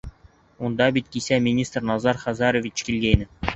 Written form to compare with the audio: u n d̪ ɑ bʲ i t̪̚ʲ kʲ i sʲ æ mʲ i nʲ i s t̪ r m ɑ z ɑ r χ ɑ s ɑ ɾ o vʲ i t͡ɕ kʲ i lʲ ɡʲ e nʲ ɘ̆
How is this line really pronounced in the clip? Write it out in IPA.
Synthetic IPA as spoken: u n d̪ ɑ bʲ i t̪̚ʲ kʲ i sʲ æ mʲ i nʲ i s t̪ r n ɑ z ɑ r χ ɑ z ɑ ɾ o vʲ i t͡ɕ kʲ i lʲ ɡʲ e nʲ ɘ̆